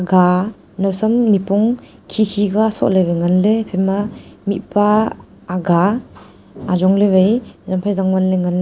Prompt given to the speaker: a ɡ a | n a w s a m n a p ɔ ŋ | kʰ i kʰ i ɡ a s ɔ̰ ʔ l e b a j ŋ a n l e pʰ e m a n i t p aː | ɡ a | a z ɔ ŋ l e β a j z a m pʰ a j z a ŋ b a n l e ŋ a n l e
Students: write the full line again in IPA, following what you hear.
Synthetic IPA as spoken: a ɡ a | n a w s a m n i p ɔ ŋ | kʰ i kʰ i ɡ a s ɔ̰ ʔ l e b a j ŋ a n l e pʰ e m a m i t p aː | ɡ a | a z ɔ ŋ l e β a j z a m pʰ a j z a ŋ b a n l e ŋ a n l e